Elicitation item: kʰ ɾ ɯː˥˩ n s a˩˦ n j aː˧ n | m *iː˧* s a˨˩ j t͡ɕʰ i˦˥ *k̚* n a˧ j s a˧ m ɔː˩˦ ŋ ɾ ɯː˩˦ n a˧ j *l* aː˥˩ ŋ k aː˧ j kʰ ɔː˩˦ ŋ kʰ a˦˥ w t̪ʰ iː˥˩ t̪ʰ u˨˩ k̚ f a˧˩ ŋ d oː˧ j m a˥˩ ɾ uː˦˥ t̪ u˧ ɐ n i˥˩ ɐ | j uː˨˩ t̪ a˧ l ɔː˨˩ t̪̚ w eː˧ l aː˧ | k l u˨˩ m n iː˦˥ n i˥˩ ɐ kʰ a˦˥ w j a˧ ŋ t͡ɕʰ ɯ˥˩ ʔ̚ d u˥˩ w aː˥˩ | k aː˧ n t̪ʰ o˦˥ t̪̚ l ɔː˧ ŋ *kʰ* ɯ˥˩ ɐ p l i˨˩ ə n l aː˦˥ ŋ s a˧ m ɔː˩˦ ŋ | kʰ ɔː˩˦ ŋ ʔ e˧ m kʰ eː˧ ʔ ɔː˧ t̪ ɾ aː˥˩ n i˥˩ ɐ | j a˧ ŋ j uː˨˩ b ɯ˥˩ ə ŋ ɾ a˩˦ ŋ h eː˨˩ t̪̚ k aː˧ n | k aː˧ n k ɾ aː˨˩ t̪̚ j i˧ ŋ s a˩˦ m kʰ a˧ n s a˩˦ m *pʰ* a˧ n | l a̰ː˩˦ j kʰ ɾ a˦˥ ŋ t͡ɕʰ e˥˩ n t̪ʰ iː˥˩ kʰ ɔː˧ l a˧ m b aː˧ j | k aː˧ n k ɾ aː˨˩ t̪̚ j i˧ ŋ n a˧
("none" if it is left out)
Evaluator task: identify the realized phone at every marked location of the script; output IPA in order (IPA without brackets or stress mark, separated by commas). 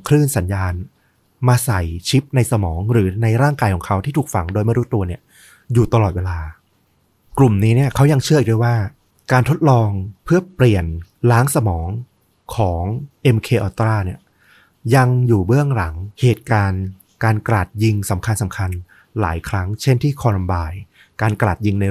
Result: aː˧, p̚, ɾ, pʰ, kʰ